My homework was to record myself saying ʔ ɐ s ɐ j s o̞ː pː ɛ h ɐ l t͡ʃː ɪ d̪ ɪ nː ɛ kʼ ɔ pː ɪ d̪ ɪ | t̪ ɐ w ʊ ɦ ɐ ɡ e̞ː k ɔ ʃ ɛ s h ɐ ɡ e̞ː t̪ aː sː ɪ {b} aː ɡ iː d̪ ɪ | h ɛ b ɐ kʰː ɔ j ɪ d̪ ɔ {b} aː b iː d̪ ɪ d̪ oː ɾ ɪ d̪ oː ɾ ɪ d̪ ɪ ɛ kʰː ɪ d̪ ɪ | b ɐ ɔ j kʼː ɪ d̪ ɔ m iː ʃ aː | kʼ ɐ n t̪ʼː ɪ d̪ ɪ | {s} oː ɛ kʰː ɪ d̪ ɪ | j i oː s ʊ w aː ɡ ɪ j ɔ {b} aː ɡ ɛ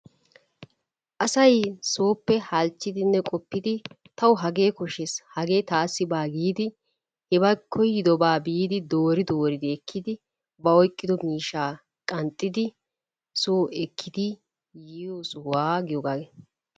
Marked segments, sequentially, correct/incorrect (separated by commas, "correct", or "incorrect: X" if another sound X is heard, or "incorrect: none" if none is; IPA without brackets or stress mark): correct, correct, correct, incorrect: ɡ